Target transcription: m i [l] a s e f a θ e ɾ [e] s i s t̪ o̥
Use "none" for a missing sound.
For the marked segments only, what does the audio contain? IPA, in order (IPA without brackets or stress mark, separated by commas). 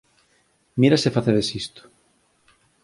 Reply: ɾ, e